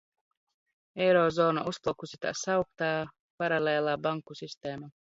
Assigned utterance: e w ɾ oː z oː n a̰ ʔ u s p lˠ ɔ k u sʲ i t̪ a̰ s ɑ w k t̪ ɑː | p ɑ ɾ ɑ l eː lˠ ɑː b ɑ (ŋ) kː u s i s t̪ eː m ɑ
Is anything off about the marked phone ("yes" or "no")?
no